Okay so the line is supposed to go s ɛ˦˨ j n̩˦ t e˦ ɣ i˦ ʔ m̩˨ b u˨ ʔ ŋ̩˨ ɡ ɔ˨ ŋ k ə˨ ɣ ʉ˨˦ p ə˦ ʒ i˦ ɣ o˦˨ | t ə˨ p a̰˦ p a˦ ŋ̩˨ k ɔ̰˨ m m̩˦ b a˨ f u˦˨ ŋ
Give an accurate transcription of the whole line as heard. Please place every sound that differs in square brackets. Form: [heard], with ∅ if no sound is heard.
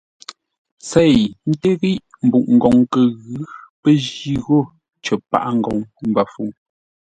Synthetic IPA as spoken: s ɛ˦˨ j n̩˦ t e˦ ɣ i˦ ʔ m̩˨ b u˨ ʔ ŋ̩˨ ɡ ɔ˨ ŋ k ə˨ ɣ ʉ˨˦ p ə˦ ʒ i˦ ɣ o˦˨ | [t͡ʃ] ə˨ p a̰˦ [ʔ] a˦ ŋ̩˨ [ɡ] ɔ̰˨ [ŋ] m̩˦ b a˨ f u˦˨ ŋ